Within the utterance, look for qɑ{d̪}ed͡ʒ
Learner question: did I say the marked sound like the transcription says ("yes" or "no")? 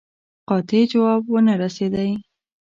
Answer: no